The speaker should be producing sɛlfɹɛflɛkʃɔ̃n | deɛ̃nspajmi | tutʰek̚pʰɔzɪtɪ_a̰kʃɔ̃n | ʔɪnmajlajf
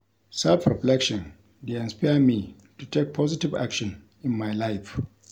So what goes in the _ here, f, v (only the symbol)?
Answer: v